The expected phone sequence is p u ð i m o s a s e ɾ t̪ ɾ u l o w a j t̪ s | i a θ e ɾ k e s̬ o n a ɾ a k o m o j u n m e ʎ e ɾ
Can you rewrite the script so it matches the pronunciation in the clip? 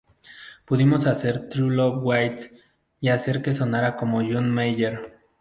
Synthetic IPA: p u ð i m o s a s e ɾ t̪ ɾ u l o w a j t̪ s | i a s e ɾ k e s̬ o n a ɾ a k o m o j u n m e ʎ e ɾ